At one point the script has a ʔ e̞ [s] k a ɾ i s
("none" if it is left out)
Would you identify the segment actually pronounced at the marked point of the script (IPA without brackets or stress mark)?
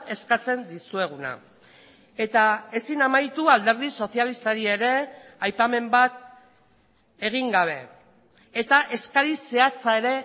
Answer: s